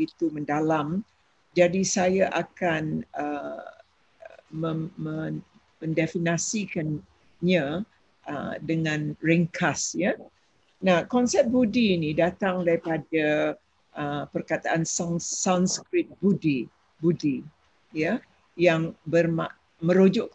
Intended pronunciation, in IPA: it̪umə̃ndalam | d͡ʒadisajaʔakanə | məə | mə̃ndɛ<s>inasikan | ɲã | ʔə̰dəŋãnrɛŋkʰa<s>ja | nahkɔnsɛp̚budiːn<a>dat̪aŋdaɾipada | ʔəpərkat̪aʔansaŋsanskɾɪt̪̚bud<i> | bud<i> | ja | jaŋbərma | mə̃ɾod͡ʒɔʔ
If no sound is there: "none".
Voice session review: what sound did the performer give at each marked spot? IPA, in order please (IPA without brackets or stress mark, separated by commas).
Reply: f, s, i, i, i